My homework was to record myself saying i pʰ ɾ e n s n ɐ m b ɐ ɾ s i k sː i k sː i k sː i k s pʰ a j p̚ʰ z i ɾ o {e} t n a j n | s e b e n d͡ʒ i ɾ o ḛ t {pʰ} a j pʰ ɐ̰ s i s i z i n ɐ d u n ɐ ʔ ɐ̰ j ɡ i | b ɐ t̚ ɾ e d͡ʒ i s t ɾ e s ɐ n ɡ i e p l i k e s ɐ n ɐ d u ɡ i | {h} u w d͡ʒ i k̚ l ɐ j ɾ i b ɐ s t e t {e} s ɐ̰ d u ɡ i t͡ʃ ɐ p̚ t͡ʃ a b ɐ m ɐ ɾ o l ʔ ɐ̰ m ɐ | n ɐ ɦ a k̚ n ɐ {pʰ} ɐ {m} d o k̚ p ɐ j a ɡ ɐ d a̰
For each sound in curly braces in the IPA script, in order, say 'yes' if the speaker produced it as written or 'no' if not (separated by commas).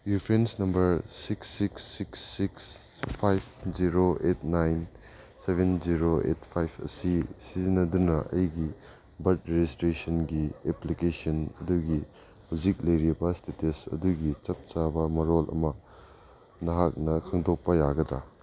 yes, yes, yes, yes, no, no